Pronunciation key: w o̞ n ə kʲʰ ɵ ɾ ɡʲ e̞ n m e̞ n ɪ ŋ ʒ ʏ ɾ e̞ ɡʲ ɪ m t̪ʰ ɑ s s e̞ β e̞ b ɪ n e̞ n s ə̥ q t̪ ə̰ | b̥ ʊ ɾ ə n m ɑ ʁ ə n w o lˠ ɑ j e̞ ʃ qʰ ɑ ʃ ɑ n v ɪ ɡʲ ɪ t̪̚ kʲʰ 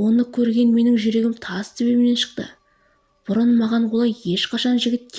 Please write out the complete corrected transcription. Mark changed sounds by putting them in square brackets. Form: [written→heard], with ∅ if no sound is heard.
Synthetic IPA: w o̞ n ə kʲʰ ɵ ɾ ɡʲ e̞ n m e̞ n ɪ ŋ ʒ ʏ ɾ e̞ ɡʲ ɪ m t̪ʰ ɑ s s e̞ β e̞ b ɪ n e̞ n [s→ʃ] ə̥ q t̪ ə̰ | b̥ ʊ ɾ ə n m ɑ ʁ [ə→ɑ] n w o lˠ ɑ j e̞ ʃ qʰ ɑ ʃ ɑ n [v→ʒ] ɪ ɡʲ ɪ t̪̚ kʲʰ